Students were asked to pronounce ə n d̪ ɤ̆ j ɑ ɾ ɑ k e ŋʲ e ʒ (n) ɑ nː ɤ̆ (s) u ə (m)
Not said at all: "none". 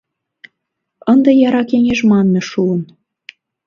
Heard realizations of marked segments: m, ʃ, n

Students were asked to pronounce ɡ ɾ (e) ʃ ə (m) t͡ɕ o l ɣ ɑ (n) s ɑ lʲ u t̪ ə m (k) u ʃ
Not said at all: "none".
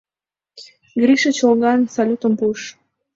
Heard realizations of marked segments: i, none, n, p

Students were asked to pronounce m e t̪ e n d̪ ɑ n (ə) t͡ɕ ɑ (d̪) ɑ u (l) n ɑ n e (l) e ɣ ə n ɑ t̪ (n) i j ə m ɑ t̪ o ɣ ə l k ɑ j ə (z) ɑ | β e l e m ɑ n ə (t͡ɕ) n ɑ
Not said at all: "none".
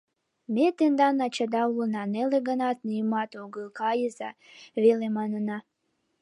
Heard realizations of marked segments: ɑ, d̪, l, l, n, z, none

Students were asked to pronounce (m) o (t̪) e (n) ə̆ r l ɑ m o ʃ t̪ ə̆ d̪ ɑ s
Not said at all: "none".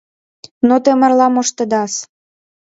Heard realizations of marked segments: n, t̪, m

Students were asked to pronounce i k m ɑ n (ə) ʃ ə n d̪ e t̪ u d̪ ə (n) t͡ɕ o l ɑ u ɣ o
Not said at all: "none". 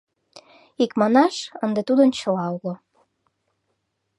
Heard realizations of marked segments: ɑ, n

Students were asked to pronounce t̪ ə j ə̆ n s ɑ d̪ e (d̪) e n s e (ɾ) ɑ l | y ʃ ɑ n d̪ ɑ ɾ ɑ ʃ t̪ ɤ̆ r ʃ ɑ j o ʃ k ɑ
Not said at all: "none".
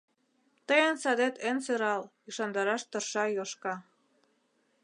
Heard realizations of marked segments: t̪, ɾ

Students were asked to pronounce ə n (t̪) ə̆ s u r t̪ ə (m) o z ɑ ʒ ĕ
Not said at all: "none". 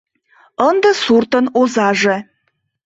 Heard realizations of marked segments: d̪, n

